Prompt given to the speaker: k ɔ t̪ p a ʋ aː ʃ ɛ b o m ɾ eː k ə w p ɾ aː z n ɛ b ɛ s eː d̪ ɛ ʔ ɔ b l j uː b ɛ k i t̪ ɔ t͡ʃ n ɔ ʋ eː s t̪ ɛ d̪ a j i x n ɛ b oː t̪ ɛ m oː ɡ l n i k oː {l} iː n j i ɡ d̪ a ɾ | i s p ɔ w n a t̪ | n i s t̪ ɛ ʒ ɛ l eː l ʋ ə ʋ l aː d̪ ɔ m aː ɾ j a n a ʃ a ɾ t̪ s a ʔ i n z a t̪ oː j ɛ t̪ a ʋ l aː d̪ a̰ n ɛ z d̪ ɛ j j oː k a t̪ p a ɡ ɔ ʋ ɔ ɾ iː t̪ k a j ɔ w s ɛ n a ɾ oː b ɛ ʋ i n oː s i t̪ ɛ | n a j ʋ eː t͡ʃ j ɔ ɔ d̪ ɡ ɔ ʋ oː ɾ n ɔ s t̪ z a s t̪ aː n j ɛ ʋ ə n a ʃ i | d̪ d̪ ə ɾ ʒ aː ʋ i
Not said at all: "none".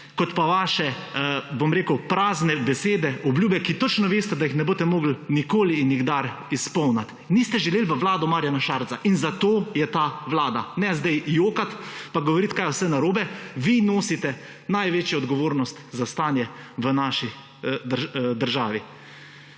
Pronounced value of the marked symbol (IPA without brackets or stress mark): l